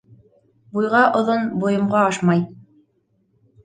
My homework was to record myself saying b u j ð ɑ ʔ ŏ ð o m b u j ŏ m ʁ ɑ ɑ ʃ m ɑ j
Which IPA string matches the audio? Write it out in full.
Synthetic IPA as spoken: b u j ʁ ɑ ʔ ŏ ð o n b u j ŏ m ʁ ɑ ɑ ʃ m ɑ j